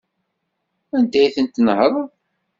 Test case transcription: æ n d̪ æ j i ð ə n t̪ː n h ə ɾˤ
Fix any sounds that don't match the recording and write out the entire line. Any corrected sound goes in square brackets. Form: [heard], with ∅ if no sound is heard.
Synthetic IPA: æ n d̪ æ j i [θ] ə n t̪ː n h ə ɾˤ